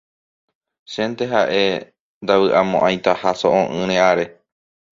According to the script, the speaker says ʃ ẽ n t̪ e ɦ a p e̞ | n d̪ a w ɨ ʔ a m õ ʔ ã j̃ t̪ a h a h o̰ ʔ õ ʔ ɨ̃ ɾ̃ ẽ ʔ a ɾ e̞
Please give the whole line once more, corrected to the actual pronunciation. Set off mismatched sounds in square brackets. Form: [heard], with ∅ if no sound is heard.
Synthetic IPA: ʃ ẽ n t̪ e ɦ a [ʔ] e̞ | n d̪ a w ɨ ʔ a m õ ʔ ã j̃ t̪ a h a [s] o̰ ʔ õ ʔ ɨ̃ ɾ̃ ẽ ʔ a ɾ e̞